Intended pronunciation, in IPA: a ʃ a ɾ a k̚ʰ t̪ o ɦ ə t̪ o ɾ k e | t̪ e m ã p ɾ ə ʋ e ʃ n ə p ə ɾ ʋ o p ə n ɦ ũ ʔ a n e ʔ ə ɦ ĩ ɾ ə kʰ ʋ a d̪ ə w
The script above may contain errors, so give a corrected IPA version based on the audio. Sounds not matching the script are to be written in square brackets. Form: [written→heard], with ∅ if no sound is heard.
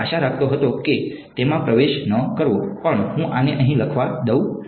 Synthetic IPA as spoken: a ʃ a ɾ a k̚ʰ t̪ o ɦ ə t̪ o [ɾ→∅] k e | t̪ e m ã p ɾ ə ʋ e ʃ n ə [p→k] ə ɾ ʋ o p ə [n→ɳ] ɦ ũ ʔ a n e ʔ ə ɦ ĩ [ɾ→l] ə kʰ ʋ a d̪ ə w